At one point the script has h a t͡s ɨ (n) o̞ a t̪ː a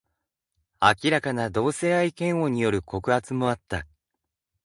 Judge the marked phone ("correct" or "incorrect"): incorrect